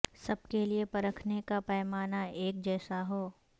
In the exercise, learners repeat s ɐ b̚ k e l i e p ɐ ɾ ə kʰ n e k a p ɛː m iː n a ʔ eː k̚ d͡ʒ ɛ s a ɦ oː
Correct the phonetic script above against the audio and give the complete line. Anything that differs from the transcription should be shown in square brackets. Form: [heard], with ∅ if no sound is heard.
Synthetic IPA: s ɐ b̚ k e l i e p ɐ ɾ ə kʰ n e k a p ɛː m [aː] n a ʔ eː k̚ d͡ʒ [ɛː] s a ɦ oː